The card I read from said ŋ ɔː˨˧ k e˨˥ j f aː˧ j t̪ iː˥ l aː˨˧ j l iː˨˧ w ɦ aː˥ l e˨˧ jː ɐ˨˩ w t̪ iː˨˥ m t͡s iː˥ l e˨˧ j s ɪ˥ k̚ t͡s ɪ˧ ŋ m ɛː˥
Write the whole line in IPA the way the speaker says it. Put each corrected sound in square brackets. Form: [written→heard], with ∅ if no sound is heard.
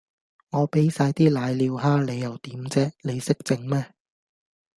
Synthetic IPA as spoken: ŋ ɔː˨˧ [k→p] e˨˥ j [f→s] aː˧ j t̪ iː˥ l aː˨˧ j l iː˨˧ w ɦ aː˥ l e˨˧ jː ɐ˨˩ w t̪ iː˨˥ m t͡s [iː˥→ɛː˥] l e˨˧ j s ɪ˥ k̚ t͡s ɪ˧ ŋ m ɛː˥